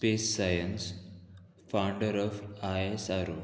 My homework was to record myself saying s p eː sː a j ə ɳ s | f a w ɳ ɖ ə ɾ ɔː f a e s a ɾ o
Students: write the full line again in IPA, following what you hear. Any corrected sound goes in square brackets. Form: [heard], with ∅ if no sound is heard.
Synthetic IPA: s p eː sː a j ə [n] s | f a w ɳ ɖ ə ɾ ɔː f a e s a ɾ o